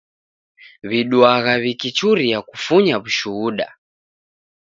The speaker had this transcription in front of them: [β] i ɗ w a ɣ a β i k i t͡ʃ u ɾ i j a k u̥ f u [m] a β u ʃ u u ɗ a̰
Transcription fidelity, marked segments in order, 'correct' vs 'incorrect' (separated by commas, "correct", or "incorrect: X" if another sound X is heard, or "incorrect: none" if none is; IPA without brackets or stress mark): correct, incorrect: ɲ